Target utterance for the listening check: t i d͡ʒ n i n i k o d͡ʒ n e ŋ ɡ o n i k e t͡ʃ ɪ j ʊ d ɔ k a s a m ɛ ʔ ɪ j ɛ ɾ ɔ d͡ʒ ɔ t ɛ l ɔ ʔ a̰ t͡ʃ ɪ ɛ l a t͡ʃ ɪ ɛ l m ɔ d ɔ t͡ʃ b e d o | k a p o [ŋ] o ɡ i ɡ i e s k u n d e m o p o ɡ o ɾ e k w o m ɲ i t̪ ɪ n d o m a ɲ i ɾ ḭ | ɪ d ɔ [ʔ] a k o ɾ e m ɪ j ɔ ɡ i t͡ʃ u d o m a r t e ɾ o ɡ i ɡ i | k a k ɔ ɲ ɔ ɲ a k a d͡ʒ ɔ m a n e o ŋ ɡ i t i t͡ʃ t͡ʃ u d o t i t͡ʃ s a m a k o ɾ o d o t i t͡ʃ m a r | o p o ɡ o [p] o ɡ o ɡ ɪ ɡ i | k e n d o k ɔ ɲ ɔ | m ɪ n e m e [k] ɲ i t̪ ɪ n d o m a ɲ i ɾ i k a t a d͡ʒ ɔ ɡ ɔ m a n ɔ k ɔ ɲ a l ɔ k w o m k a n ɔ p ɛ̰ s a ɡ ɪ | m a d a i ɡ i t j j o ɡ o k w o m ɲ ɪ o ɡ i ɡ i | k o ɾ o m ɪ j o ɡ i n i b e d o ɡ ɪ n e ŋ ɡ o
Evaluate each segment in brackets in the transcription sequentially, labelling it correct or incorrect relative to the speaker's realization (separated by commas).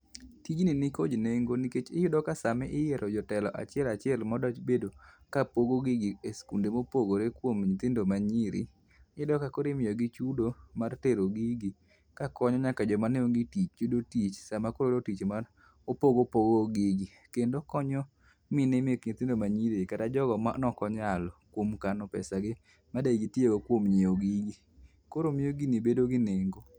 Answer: incorrect, incorrect, correct, correct